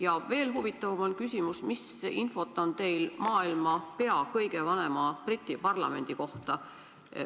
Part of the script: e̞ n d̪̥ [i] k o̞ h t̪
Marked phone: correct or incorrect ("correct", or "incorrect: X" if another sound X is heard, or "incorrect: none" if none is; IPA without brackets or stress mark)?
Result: correct